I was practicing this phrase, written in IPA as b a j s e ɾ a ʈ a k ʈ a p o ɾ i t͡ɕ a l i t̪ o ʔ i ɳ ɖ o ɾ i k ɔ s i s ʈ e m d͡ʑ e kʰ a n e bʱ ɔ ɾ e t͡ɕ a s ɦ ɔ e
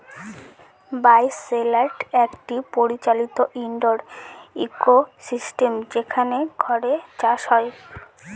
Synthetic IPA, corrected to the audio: b a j s e l a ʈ ɛ k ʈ i p o ɾ i t͡ɕ a l i t̪ o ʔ i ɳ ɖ o ɾ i k o s i s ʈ e m d͡ʑ e kʰ a n e ɡʱ ɔ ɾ e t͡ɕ a ʃ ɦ ɔ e